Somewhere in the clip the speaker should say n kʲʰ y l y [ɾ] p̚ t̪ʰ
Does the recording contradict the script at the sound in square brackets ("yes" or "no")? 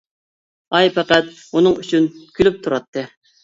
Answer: yes